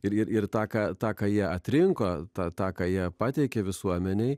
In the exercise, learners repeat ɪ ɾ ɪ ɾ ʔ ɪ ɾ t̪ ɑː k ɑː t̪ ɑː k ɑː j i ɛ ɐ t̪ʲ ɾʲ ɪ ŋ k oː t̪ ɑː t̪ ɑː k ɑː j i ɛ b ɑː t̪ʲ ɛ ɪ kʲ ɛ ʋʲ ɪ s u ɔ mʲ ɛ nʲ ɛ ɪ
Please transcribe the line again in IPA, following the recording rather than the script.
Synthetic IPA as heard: ɪ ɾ ɪ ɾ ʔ ɪ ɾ t̪ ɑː k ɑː t̪ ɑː k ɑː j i ɛ ɐ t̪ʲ ɾʲ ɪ ŋ k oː t̪ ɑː t̪ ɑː k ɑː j i ɛ p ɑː t̪ʲ ɛ ɪ kʲ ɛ ʋʲ ɪ s u ɔ mʲ ɛ nʲ ɛ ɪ